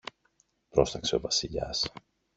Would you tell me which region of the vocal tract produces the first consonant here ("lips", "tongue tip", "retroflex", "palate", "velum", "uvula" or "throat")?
lips